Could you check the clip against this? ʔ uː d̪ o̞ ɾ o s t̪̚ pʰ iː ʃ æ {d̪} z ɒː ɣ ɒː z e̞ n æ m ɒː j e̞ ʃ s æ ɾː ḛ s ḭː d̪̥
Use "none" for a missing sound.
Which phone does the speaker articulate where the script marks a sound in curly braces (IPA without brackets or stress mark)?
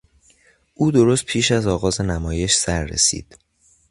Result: none